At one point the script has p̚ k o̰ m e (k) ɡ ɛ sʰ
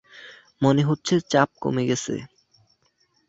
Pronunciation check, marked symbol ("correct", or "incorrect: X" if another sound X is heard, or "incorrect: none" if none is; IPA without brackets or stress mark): incorrect: none